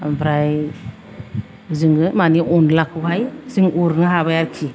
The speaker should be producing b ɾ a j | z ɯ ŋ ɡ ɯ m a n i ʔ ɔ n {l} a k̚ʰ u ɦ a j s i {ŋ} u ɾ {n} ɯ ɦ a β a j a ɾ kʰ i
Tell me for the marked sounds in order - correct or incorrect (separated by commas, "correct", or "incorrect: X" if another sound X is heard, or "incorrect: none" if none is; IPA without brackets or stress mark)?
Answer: correct, correct, correct